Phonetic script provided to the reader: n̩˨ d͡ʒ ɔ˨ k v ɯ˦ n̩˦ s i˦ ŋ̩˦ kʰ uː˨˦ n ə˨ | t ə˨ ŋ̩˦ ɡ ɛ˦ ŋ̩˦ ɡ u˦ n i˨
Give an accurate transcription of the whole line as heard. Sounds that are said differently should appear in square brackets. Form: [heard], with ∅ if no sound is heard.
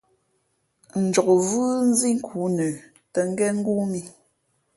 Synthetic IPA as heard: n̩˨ d͡ʒ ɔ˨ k v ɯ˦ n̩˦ [z] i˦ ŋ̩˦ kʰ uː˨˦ n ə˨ | t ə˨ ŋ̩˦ ɡ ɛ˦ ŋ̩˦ ɡ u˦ [m] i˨